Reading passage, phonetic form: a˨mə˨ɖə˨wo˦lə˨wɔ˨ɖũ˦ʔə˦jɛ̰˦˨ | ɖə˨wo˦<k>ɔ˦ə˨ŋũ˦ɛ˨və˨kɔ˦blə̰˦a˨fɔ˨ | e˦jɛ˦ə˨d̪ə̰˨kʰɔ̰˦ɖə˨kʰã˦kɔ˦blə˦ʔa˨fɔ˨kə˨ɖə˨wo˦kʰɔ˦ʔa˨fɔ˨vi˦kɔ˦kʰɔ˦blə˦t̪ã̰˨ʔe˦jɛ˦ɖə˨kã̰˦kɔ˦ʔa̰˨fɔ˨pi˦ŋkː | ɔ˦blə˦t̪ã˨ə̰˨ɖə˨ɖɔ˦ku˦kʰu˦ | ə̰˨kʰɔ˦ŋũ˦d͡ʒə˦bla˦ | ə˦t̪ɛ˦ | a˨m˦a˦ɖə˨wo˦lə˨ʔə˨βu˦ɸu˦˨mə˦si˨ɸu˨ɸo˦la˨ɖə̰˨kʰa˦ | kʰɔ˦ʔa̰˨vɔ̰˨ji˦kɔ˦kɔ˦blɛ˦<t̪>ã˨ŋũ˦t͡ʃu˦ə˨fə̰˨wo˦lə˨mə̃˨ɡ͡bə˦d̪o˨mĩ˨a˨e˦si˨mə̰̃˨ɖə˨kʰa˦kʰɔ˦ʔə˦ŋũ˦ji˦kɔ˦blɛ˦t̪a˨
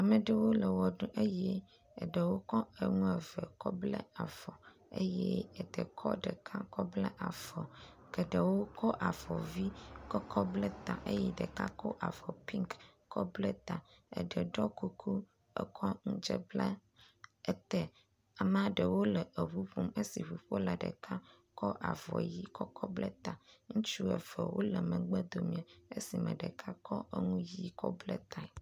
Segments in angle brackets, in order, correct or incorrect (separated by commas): correct, correct